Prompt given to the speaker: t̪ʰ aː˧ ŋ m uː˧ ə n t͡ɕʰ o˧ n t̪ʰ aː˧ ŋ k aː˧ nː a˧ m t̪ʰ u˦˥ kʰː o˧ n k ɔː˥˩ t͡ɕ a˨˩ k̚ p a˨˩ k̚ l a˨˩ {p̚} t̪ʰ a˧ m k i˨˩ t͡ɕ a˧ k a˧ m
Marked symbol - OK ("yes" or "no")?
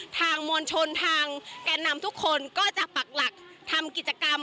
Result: no